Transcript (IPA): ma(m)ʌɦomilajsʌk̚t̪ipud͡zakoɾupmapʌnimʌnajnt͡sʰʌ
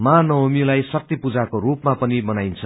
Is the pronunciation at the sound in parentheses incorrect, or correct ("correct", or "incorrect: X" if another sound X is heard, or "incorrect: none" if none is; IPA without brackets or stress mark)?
incorrect: n